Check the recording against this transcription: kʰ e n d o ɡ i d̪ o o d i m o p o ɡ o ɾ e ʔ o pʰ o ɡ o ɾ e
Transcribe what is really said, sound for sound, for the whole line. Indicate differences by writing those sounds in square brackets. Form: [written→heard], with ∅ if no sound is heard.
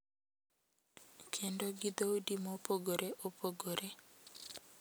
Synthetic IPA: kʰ e n d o ɡ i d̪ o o d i m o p o ɡ o ɾ e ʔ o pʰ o ɡ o ɾ e